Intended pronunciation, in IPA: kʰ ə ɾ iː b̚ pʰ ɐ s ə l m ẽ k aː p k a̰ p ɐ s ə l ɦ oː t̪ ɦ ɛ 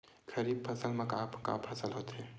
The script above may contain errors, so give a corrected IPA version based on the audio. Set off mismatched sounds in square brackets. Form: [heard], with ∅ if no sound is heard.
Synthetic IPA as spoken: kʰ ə ɾ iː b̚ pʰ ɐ s ə l m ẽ k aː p k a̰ [pʰ] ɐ s ə l ɦ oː t̪ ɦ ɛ